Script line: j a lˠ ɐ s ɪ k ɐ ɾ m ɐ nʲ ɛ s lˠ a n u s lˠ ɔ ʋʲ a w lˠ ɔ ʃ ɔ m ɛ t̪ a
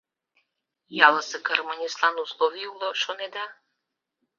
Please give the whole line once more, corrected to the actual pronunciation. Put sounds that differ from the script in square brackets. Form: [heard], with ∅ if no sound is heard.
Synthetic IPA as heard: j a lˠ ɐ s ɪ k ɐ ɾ m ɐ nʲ [i] s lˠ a n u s lˠ ɔ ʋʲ [i] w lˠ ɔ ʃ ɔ [n] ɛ [d̪] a